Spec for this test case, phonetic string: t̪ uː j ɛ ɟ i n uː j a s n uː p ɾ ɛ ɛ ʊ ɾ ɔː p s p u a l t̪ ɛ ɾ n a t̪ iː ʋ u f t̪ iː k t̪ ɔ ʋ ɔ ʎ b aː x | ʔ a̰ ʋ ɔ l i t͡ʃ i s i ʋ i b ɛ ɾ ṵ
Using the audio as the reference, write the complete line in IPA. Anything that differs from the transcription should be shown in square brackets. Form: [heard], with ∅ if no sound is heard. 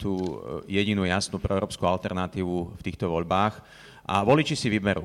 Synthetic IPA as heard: t̪ uː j ɛ ɟ i n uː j a s n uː p ɾ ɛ ɛ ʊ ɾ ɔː p s [k] u a l t̪ ɛ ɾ n a t̪ iː ʋ u f t̪ iː [x] t̪ ɔ ʋ ɔ ʎ b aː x | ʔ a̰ ʋ ɔ l i t͡ʃ i s i ʋ i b ɛ ɾ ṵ